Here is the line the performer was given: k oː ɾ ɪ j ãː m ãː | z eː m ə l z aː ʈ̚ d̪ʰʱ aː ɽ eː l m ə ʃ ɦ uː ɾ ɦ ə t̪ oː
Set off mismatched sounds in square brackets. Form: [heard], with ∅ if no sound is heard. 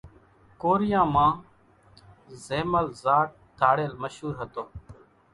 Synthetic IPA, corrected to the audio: k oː ɾ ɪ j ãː m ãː | z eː m ə l z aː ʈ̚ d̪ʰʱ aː ɽ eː l m ə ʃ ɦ uː ɾ ɦ ə t̪ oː